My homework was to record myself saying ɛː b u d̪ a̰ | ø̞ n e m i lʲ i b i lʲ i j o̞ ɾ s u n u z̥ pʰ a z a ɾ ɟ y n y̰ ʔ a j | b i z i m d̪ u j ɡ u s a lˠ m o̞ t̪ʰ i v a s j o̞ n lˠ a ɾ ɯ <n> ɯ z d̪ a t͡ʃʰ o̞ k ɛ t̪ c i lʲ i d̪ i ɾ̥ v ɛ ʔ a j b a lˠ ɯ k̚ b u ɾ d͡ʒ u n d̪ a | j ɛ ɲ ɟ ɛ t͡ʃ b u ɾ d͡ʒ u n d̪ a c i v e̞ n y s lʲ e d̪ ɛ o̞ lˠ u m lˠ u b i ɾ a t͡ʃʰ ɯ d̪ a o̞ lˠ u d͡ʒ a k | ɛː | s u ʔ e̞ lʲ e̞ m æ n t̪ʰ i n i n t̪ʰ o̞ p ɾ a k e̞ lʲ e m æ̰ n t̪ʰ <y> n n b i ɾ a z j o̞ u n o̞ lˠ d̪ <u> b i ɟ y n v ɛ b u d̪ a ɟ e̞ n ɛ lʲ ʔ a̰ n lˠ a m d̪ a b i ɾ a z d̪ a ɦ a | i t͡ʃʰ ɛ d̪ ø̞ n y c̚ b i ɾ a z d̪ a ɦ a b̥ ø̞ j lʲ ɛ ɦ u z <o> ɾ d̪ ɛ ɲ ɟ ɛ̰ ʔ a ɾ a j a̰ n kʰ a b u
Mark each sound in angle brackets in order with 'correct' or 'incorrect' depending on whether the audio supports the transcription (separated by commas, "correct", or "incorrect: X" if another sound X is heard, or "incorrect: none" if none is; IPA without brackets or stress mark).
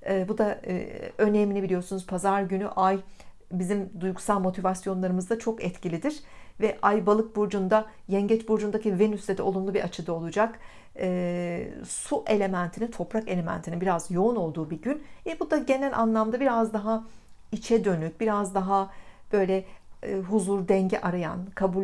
incorrect: m, incorrect: i, incorrect: uː, incorrect: u